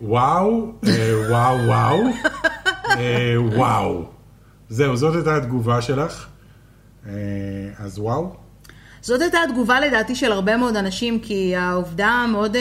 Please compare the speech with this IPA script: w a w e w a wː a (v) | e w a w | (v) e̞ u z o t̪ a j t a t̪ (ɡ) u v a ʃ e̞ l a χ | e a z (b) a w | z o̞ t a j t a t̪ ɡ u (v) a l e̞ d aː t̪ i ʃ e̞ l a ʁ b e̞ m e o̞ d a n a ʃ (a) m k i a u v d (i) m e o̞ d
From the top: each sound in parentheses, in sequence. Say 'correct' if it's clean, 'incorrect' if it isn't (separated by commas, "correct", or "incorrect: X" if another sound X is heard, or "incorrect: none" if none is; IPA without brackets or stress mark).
incorrect: w, incorrect: z, correct, incorrect: w, correct, incorrect: i, incorrect: a